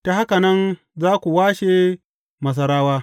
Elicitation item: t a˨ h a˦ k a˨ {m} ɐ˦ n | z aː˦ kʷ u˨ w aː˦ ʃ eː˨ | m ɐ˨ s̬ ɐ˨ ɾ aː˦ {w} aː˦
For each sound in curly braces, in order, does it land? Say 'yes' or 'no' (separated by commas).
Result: no, yes